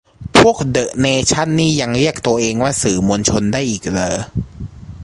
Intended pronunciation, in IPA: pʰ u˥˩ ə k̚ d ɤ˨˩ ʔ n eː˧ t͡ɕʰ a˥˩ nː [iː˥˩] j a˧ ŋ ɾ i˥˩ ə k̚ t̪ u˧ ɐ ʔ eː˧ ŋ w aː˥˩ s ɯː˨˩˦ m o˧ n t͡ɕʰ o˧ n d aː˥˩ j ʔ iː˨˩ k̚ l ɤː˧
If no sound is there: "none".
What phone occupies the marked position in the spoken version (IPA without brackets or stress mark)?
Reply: iː˥˩